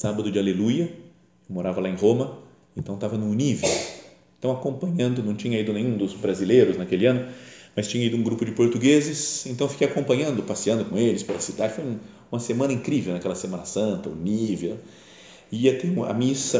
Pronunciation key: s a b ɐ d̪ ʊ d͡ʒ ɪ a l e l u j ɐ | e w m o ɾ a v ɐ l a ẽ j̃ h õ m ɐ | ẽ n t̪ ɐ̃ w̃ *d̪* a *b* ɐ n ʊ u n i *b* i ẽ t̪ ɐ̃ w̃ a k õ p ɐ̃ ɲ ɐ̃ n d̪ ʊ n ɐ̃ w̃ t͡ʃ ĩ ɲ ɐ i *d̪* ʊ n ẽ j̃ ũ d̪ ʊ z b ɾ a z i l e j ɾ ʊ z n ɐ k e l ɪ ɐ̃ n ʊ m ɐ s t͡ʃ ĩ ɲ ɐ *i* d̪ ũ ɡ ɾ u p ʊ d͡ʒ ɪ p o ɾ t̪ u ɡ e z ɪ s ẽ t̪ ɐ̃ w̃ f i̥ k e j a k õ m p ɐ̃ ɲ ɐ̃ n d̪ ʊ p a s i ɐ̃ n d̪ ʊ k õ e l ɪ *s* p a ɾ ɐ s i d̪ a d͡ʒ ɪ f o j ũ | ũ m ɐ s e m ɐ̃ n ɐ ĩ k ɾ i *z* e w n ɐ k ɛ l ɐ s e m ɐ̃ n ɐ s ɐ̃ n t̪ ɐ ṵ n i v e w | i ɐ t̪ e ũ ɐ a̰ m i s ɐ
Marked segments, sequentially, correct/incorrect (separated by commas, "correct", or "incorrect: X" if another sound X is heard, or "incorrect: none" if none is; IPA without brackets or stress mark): incorrect: t̪, incorrect: v, incorrect: v, correct, correct, correct, incorrect: v